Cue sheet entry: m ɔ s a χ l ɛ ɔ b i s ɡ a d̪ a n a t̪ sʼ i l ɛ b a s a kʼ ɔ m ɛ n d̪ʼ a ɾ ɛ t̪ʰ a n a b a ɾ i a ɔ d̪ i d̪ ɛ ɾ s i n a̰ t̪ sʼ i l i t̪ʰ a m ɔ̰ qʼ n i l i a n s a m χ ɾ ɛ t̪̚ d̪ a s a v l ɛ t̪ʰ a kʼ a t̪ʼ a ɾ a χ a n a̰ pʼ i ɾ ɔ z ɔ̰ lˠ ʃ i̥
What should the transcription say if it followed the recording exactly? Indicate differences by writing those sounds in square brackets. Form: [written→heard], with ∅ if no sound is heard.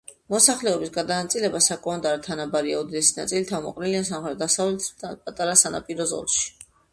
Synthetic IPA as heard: m ɔ s a χ l ɛ ɔ b i s ɡ a d̪ a n a t̪ sʼ i l ɛ b a s a kʼ ɔ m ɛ n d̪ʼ a ɾ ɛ t̪ʰ a n a b a ɾ i a ɔ d̪ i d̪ ɛ [ɾ→∅] s i n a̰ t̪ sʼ i l i t̪ʰ a m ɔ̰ qʼ n i l i a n s a m χ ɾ ɛ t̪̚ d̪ a s a v l ɛ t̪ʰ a [kʼ→pʼ] a t̪ʼ a ɾ a [χ→s] a n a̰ pʼ i ɾ ɔ z ɔ̰ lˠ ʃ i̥

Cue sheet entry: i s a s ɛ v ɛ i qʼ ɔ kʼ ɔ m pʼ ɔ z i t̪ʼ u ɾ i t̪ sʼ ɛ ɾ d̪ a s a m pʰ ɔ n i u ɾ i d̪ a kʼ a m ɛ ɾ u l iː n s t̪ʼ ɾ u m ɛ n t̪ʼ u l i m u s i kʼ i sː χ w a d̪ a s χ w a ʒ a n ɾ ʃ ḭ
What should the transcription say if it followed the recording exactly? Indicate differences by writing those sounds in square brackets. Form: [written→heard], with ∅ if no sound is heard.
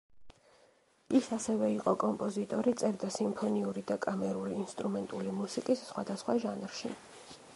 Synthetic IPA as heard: i s a s ɛ v ɛ i qʼ ɔ kʼ ɔ m pʼ ɔ z i t̪ʼ [u→ɔ] ɾ i t̪ sʼ ɛ ɾ d̪ a s [a→i] m pʰ ɔ n i u ɾ i d̪ a kʼ a m ɛ ɾ u l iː n s t̪ʼ ɾ u m ɛ n t̪ʼ u l i m u s i kʼ i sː χ w a d̪ a s χ w a ʒ a n ɾ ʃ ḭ

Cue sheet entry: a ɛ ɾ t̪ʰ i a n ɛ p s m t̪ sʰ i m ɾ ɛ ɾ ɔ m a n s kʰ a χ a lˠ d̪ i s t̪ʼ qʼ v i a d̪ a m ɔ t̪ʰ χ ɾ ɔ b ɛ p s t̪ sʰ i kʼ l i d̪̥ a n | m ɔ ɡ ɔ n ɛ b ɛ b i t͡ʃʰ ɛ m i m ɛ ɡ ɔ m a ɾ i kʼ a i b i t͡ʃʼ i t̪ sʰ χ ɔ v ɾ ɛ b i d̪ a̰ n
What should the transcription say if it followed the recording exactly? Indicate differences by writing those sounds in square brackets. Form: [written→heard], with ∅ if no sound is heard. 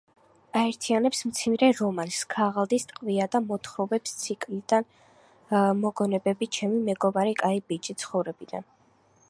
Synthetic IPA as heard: a ɛ ɾ t̪ʰ i a n ɛ p s m t̪ sʰ i m ɾ ɛ ɾ ɔ m a n s kʰ a [χ→ʁ] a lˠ d̪ i s t̪ʼ qʼ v i a d̪ a m ɔ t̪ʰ χ ɾ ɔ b ɛ p s t̪ sʰ i kʼ l i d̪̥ a n | m ɔ ɡ ɔ n ɛ b ɛ b i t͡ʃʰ ɛ m i m ɛ ɡ ɔ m a ɾ i kʼ a i b i t͡ʃʼ i t̪ sʰ χ ɔ v ɾ ɛ b i d̪ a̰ n

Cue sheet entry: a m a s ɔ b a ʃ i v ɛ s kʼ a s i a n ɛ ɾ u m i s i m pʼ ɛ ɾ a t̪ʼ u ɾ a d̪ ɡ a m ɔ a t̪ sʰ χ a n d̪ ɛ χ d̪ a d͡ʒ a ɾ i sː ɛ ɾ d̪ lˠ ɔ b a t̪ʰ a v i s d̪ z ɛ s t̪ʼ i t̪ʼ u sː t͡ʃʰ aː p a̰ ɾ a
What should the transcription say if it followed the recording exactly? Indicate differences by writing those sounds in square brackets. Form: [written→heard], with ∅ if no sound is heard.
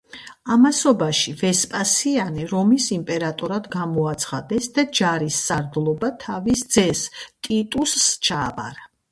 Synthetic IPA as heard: a m a s ɔ b a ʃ i v ɛ s [kʼ→pʼ] a s i a n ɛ ɾ [u→ɔ] m i s i m pʼ ɛ ɾ a t̪ʼ [u→ɔ] ɾ a d̪ ɡ a m ɔ a t̪ sʰ χ a [n→∅] d̪ ɛ [χ→s] d̪ a d͡ʒ a ɾ i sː [ɛ→a] ɾ d̪ lˠ ɔ b a t̪ʰ a v i s d̪ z ɛ s t̪ʼ i t̪ʼ u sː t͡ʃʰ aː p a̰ ɾ a

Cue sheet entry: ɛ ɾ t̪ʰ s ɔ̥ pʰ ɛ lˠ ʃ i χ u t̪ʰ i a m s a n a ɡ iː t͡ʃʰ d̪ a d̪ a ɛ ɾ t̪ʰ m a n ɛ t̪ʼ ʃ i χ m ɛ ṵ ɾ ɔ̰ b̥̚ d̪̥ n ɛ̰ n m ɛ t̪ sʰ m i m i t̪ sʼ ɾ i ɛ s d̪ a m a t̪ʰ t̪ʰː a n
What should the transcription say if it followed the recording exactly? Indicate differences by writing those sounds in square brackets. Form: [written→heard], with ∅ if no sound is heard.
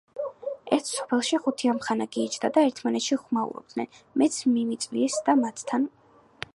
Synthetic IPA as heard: ɛ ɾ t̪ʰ s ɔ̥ pʰ ɛ lˠ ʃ i χ u t̪ʰ i a m [s→χ] a n a ɡ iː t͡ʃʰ d̪ a d̪ a ɛ ɾ t̪ʰ m a n ɛ [t̪ʼ→t̪] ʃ i χ m [ɛ→a] ṵ ɾ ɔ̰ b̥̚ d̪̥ n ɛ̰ n m ɛ t̪ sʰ m i m i t̪ sʼ [ɾ→l] i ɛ s d̪ a m a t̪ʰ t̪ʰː a n

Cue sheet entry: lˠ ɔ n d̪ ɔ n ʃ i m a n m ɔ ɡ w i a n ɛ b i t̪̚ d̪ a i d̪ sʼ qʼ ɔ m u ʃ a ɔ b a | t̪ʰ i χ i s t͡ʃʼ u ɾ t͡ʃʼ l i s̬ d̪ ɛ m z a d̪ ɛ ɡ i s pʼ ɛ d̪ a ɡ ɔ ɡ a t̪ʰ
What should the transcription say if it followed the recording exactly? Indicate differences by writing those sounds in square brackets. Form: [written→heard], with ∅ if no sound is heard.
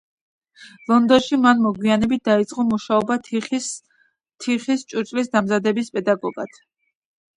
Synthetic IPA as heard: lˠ ɔ n d̪ ɔ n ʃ i m a n m ɔ ɡ w i a n ɛ b i t̪̚ d̪ a i [d̪→t̪] sʼ qʼ ɔ m u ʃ a ɔ b a | t̪ʰ i χ i s t͡ʃʼ u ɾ t͡ʃʼ l i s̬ d̪ [ɛ→a] m z a d̪ ɛ [ɡ→b] i s pʼ ɛ d̪ a ɡ ɔ ɡ a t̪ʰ

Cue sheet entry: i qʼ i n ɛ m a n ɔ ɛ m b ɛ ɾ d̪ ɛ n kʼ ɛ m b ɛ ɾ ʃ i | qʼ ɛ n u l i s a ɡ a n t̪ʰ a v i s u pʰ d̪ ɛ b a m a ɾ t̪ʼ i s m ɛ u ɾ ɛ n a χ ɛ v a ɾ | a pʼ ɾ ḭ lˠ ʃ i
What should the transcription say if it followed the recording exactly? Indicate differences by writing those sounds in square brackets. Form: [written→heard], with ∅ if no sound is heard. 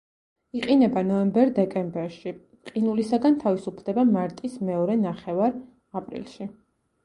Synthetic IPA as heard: i qʼ i n ɛ [m→b] a n ɔ ɛ m b ɛ ɾ d̪ ɛ [n→∅] kʼ ɛ m b ɛ ɾ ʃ i | qʼ [ɛ→i] n u l i s a ɡ a n t̪ʰ a v i s u pʰ d̪ ɛ b a m a ɾ t̪ʼ i s m ɛ [u→ɔ] ɾ ɛ n a χ ɛ v a ɾ | a pʼ ɾ ḭ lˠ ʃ i

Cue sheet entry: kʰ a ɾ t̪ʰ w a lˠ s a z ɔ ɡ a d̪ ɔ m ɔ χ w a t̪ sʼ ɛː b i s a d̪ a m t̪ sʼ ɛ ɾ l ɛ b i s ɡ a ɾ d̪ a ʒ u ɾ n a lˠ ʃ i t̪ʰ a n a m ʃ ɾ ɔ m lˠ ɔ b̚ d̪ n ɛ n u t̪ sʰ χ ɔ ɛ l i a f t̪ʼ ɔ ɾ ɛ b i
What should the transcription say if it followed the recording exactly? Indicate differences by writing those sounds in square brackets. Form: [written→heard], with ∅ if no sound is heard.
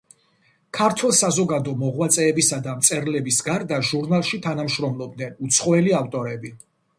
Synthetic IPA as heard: kʰ a ɾ t̪ʰ w [a→ɛ] lˠ s a z ɔ ɡ a d̪ ɔ m ɔ [χ→ʁ] w a t̪ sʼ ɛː b i s a d̪ a m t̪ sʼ ɛ ɾ l ɛ b i s ɡ a ɾ d̪ a ʒ u ɾ n a lˠ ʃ i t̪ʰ a n a m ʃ ɾ ɔ m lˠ ɔ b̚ d̪ n ɛ n u t̪ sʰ χ ɔ ɛ l i a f t̪ʼ ɔ ɾ ɛ b i

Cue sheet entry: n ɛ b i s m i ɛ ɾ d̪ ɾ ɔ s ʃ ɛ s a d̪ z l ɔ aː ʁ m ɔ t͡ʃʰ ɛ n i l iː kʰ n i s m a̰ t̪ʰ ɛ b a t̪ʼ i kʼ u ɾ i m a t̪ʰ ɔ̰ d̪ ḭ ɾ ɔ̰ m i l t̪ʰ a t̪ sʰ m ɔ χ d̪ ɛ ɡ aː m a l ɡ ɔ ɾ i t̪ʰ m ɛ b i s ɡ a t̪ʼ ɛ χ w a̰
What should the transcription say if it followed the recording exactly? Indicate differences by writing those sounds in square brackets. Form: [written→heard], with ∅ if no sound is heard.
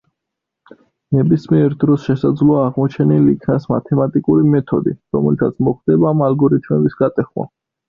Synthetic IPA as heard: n ɛ b i s m i ɛ ɾ d̪ ɾ ɔ s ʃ ɛ s a d̪ z l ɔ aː ʁ m ɔ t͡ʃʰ ɛ n i l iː kʰ n [i→a] s m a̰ t̪ʰ ɛ [b→m] a t̪ʼ i kʼ u ɾ i m [a→ɛ] t̪ʰ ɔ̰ d̪ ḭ ɾ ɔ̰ m [i→ɛ] l t̪ʰ a t̪ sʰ m ɔ χ d̪ ɛ [ɡ→b] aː m a l ɡ ɔ ɾ i t̪ʰ m ɛ b i s ɡ a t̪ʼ ɛ χ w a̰

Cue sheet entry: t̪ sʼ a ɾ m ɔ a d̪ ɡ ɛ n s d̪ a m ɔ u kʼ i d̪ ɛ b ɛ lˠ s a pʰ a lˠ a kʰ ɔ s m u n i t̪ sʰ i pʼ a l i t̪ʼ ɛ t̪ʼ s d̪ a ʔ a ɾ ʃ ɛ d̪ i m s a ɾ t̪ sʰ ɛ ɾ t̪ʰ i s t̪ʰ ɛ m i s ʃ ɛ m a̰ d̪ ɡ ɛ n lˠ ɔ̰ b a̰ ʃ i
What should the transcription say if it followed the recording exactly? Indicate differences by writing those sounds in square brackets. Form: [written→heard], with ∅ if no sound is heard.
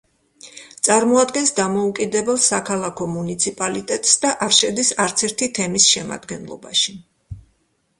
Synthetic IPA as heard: t̪ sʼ a ɾ m ɔ a d̪ ɡ ɛ n s d̪ a m ɔ u kʼ i d̪ ɛ b ɛ lˠ s a [pʰ→kʰ] a lˠ a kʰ ɔ [s→∅] m u n i t̪ sʰ i pʼ a l i t̪ʼ ɛ t̪ʼ s d̪ a ʔ a ɾ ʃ ɛ d̪ i [m→∅] s a ɾ t̪ sʰ ɛ ɾ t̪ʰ i [s→∅] t̪ʰ ɛ m i s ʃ ɛ m a̰ d̪ ɡ ɛ n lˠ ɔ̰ b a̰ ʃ i

